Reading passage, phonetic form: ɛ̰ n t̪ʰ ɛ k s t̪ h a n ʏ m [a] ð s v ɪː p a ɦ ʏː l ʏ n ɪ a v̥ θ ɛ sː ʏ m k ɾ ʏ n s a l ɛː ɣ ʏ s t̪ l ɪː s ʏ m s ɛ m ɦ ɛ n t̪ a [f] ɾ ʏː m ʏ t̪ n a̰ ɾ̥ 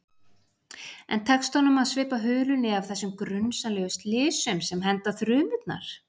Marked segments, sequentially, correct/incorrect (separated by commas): correct, incorrect